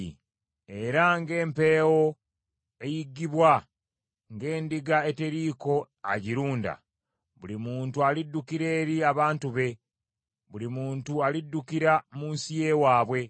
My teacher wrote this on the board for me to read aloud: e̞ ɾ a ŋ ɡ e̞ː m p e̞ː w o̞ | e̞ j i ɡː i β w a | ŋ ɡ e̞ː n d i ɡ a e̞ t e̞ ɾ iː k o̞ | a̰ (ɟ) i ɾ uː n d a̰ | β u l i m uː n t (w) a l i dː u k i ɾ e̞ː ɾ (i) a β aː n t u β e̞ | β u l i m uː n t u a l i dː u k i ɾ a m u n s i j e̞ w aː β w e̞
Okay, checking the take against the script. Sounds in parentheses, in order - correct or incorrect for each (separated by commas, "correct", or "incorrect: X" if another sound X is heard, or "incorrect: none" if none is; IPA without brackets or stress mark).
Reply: correct, incorrect: u, correct